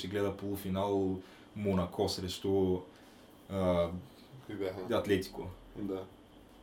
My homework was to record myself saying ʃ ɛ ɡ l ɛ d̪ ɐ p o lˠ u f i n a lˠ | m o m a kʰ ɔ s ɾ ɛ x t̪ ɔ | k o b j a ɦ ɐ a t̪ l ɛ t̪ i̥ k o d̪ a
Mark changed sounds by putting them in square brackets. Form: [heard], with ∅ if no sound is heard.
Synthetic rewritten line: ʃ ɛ ɡ l ɛ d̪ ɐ p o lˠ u f i n a lˠ | m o [n] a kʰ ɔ s ɾ ɛ [ʃ] t̪ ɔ | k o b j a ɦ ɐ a t̪ l ɛ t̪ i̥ k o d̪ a